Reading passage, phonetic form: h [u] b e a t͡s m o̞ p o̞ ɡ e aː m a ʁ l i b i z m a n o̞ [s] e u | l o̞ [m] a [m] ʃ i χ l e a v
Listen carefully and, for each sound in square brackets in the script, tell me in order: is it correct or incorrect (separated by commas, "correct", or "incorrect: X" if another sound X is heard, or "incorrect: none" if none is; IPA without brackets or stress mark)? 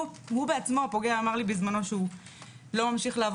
correct, incorrect: ʃ, correct, correct